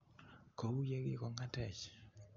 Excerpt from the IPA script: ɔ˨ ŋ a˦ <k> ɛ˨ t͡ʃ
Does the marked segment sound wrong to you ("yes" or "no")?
yes